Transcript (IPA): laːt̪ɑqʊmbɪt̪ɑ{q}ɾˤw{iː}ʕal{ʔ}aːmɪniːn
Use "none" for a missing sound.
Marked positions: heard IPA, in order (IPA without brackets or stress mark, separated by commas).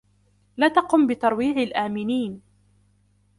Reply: none, iː, ʔ